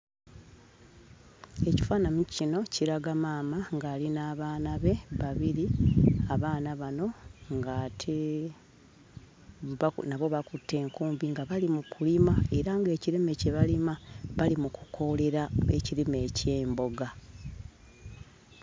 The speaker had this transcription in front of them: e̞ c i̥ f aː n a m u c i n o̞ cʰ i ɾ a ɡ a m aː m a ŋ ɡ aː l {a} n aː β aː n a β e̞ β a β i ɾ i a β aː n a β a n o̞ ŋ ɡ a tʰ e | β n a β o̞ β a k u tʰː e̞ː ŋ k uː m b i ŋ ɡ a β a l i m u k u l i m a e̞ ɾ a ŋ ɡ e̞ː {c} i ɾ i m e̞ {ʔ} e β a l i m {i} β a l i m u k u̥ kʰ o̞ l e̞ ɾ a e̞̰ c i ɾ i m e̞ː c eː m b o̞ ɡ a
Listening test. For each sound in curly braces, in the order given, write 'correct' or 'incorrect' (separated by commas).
incorrect, correct, incorrect, incorrect